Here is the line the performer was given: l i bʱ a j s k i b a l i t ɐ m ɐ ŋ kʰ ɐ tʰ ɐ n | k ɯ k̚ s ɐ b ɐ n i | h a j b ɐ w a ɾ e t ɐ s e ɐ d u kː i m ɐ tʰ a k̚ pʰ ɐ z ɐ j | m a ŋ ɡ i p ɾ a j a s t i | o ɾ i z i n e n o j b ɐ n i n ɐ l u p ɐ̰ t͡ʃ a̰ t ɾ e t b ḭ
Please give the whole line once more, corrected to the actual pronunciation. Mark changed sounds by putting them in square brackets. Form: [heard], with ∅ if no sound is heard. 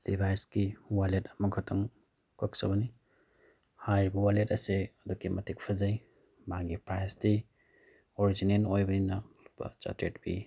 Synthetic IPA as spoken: l i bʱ a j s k i [w] a l [e] t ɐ m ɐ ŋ kʰ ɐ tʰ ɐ [ŋ] | k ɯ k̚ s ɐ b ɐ n i | h a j b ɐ w a [l] e t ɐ s e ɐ d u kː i m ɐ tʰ [i] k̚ pʰ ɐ z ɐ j | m a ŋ ɡ i p ɾ a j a s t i | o ɾ i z i n e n o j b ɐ n i n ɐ l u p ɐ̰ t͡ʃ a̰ t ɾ e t b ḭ